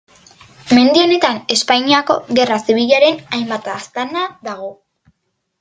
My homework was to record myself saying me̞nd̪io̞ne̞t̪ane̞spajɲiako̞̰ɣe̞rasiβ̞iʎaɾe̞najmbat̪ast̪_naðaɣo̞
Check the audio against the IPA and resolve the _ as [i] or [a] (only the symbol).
a